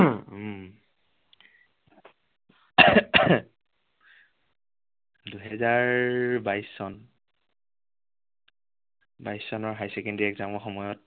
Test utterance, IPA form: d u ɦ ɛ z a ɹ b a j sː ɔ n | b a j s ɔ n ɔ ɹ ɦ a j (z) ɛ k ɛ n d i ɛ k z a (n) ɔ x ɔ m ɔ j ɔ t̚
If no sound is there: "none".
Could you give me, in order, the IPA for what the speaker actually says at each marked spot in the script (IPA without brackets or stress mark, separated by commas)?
s, m